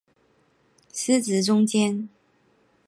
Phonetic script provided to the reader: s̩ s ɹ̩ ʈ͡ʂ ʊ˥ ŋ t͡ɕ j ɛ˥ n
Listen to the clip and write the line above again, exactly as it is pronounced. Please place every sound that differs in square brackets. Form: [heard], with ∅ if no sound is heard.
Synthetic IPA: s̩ [t͡s] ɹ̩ ʈ͡ʂ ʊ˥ ŋ t͡ɕ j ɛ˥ n